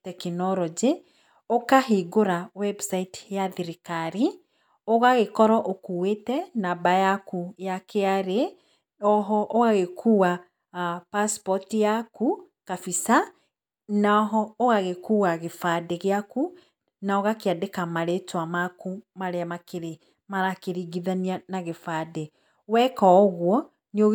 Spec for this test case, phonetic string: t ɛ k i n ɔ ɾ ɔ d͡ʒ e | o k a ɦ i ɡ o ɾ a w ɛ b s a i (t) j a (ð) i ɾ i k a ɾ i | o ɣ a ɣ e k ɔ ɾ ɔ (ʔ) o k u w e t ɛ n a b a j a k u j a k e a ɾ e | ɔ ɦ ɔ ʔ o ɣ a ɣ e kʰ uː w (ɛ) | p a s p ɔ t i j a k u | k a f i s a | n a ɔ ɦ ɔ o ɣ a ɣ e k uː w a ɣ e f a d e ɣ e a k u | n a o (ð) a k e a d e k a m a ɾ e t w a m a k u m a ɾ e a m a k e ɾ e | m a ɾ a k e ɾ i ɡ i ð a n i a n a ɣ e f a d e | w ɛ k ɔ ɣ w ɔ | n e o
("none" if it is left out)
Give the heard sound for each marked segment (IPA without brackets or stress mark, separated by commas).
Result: t, ð, ʔ, a, ɣ